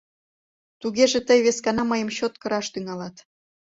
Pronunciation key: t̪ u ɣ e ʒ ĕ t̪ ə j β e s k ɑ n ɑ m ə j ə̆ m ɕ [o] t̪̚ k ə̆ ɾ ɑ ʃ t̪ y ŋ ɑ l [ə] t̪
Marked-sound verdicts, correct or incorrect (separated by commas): correct, incorrect